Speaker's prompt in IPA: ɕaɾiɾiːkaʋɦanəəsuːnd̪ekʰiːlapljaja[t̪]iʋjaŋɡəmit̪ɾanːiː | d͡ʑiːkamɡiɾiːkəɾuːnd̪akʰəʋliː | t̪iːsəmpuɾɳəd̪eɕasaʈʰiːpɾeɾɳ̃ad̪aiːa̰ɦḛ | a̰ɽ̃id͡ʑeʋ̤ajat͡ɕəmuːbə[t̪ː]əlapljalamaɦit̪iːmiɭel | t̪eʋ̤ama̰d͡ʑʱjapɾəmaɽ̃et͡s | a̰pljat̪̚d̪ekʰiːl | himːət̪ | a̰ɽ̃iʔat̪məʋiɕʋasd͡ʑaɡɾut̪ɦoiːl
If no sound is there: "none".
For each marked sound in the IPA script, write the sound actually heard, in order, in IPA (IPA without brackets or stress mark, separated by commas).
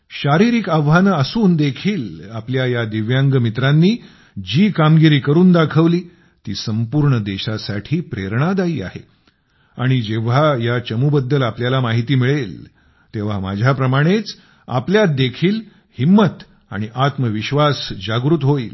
d̪, d̪ː